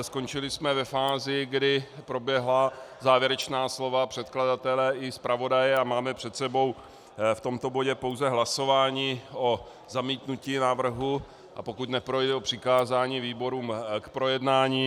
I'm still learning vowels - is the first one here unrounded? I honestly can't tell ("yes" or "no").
no